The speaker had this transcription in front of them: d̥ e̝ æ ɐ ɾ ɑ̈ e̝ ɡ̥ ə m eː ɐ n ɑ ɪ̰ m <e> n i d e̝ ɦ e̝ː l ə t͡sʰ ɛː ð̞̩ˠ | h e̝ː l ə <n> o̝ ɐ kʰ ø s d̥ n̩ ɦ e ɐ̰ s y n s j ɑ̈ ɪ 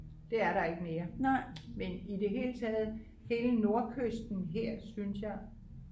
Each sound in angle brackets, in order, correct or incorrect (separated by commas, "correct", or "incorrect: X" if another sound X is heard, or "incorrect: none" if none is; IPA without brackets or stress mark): correct, correct